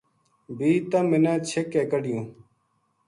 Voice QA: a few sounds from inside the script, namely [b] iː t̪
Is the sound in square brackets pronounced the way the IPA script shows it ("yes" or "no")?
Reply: yes